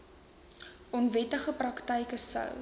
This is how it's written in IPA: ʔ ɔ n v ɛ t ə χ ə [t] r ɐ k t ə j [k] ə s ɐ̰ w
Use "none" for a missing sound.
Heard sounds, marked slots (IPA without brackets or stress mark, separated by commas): p, k